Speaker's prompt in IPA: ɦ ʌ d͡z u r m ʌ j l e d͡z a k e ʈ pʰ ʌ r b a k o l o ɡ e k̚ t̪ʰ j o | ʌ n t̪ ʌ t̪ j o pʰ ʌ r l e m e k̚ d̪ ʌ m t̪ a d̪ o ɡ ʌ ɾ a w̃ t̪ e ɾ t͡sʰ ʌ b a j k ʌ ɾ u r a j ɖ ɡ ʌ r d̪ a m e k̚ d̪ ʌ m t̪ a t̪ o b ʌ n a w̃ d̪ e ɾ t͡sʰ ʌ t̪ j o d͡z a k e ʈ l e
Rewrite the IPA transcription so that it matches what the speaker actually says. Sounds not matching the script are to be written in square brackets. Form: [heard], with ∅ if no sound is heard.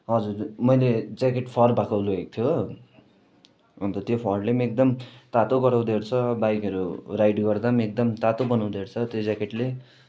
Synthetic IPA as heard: ɦ ʌ d͡z u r m ʌ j l e d͡z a k e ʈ pʰ ʌ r b a k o l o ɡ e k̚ t̪ʰ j o | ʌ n t̪ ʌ t̪ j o pʰ ʌ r l e m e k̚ d̪ ʌ m t̪ a [t̪] o ɡ ʌ ɾ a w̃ [d̪] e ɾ t͡sʰ ʌ b a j k ʌ ɾ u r a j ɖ ɡ ʌ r d̪ a m e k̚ d̪ ʌ m t̪ a t̪ o b ʌ n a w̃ d̪ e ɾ t͡sʰ ʌ t̪ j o d͡z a k e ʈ l e